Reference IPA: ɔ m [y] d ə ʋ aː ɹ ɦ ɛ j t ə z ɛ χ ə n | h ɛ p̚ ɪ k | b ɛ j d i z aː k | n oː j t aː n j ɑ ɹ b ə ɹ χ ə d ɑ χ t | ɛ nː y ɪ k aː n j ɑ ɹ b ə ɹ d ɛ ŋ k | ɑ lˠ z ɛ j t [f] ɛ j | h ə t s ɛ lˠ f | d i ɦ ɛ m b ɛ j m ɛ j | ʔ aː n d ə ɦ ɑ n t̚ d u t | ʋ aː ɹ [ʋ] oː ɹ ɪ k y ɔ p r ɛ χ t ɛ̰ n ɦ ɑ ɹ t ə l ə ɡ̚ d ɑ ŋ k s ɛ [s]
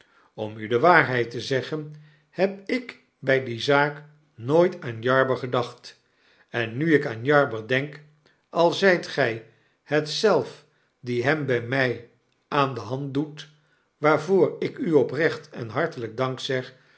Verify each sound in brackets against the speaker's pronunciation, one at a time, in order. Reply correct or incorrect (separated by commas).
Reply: correct, incorrect, incorrect, incorrect